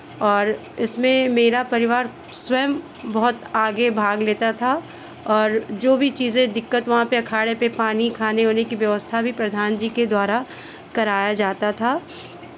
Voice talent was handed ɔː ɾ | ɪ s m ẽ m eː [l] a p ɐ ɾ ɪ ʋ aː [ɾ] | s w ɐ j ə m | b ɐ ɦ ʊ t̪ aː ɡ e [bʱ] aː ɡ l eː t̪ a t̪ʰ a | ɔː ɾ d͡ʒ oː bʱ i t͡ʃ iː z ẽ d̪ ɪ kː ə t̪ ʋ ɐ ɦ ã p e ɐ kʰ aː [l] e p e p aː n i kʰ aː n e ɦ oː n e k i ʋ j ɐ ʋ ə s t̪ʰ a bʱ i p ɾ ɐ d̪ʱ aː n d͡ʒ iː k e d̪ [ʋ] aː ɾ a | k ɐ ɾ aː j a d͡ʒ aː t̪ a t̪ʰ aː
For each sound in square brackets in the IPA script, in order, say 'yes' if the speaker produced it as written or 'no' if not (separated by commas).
no, yes, yes, no, no